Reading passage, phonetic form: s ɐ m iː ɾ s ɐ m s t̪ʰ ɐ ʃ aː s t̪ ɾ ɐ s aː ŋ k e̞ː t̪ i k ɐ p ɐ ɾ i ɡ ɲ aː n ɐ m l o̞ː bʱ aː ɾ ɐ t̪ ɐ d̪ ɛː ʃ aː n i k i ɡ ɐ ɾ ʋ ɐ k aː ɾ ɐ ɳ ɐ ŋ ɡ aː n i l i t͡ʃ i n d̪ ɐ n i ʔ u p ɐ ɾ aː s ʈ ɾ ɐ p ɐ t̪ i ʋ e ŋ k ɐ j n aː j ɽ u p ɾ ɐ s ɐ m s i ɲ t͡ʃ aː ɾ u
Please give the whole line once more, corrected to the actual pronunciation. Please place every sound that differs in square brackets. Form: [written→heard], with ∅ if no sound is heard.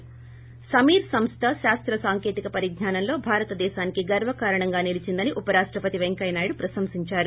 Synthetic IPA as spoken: s ɐ m iː ɾ s ɐ m s t̪ʰ ɐ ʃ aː s t̪ ɾ ɐ s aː ŋ k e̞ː t̪ i k ɐ p ɐ ɾ i ɡ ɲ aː n ɐ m l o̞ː bʱ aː ɾ ɐ t̪ ɐ d̪ ɛː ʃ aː n i k i ɡ ɐ ɾ ʋ ɐ k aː ɾ ɐ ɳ ɐ ŋ ɡ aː n i l i t͡ʃ i n d̪ ɐ n i ʔ u p ɐ ɾ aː [s→ʂ] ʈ ɾ ɐ p ɐ t̪ i ʋ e ŋ k ɐ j n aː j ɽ u p ɾ ɐ s ɐ m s i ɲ t͡ʃ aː ɾ u